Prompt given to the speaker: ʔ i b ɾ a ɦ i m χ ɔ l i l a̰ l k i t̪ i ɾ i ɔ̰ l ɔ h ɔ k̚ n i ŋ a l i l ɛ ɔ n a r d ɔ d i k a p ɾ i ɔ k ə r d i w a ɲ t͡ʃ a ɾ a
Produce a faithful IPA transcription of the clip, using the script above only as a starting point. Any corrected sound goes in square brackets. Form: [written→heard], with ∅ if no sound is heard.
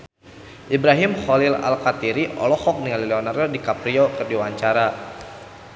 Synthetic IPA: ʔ i b ɾ a ɦ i m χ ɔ l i l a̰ l k [i→a] t̪ i ɾ i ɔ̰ l ɔ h ɔ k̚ n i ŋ a l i l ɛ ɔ n a r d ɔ d i k a p ɾ i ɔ k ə r d i w a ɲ t͡ʃ a ɾ a